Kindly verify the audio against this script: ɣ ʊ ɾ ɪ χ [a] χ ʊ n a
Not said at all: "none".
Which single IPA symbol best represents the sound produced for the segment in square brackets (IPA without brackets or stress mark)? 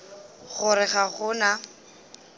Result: a